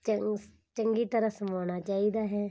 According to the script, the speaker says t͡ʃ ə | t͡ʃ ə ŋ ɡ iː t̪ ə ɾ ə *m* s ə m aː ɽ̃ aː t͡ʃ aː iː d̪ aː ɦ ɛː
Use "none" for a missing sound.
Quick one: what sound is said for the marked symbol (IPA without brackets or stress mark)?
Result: none